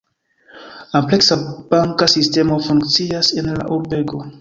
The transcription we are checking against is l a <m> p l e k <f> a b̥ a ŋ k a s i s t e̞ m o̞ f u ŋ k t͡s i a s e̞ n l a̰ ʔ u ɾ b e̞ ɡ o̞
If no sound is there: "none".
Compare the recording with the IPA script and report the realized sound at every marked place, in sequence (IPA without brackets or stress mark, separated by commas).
m, s